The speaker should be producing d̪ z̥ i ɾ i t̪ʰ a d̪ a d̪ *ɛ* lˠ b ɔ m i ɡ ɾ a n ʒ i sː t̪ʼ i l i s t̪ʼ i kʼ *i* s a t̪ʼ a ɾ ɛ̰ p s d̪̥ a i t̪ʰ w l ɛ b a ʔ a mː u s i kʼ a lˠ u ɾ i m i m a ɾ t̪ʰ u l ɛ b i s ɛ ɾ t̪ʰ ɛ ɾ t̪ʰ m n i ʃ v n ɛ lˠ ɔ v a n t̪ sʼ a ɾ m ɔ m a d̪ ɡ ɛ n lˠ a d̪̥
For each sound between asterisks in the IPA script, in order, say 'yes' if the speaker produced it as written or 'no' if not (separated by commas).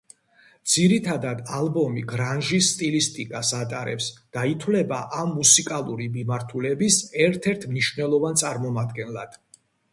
no, no